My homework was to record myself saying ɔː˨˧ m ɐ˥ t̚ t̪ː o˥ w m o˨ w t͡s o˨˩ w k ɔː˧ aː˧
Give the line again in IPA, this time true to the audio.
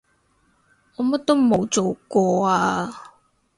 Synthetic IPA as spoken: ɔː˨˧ m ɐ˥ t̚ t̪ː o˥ w m o˨ w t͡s o˨˩ w k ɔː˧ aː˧

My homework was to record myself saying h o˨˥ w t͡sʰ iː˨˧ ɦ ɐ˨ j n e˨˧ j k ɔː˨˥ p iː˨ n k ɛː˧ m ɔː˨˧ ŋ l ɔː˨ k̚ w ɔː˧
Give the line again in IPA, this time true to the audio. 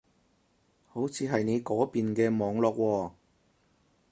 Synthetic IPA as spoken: h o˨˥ w t͡sʰ iː˨˧ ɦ ɐ˨ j n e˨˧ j k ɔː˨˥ p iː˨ n k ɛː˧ m ɔː˨˧ ŋ l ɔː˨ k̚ w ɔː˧

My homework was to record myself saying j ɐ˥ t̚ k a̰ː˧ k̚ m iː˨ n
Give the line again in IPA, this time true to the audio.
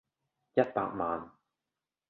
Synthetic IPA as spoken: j ɐ˥ t̚ p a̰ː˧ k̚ m aː˨ n

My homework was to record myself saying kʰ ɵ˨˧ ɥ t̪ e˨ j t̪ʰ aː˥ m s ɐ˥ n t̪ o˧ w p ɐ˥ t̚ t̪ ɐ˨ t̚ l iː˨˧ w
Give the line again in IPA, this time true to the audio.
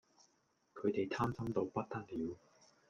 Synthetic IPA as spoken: kʰ ɵ˨˧ ɥ t̪ e˨ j t̪ʰ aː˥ m s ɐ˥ m t̪ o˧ w p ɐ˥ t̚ t̪ ɐ˥ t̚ l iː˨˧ w

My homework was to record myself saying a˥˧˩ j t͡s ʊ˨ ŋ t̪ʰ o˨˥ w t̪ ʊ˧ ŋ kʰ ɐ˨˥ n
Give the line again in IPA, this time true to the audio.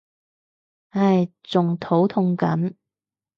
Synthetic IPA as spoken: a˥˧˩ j t͡s ʊ˨ ŋ t̪ʰ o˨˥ w t̪ʰ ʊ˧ ŋ k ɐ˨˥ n

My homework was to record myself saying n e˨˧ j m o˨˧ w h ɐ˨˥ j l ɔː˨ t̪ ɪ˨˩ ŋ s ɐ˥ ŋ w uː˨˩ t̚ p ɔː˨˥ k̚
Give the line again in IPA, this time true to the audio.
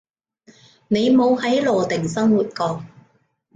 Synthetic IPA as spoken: n e˨˧ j m o˨˧ w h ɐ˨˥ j l ɔː˨ t̪ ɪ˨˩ ŋ s ɐ˥ ŋ w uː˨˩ t̚ k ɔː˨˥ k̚

